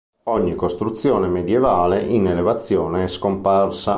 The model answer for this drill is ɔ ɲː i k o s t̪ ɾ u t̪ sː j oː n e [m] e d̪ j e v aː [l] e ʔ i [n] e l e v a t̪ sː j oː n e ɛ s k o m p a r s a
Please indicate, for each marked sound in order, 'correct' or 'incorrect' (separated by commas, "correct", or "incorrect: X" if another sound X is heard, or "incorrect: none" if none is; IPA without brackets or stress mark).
correct, correct, correct